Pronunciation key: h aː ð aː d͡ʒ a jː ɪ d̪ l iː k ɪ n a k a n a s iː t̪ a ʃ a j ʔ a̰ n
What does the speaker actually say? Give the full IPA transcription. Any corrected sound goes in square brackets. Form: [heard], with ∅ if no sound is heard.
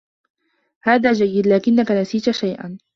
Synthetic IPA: h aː ð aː d͡ʒ a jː ɪ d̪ l [aː] k ɪ [nː] a k a n a s iː t̪ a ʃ a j ʔ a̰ n

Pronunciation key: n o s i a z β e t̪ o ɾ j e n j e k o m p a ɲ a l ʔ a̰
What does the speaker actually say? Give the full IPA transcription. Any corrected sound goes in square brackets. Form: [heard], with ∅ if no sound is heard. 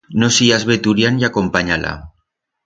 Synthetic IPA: n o s i a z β e t̪ [u] ɾ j [a] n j [a] k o m p a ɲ a l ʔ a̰

